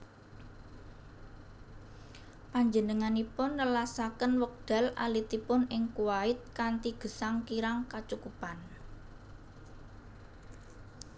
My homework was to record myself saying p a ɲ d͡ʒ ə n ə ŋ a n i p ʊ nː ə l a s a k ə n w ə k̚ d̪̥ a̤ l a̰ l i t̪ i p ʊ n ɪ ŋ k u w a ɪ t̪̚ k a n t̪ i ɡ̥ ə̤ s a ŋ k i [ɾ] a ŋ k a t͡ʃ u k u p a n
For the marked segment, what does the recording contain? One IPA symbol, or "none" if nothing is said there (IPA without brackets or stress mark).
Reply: ɾ